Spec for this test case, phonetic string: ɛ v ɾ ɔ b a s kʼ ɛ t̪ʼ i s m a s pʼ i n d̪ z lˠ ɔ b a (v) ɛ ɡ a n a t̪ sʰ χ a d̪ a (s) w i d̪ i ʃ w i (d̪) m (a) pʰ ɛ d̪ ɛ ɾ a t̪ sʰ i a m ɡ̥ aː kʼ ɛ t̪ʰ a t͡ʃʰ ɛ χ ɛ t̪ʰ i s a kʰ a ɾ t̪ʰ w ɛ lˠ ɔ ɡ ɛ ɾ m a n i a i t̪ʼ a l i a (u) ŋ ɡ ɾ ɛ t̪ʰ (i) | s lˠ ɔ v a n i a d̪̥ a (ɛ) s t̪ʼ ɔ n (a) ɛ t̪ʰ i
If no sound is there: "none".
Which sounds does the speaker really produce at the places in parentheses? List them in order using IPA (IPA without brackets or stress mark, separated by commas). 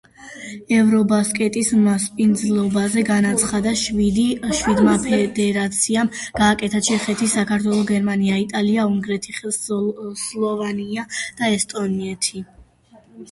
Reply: z, ʃ, d̪, a, u, i, ɛ, i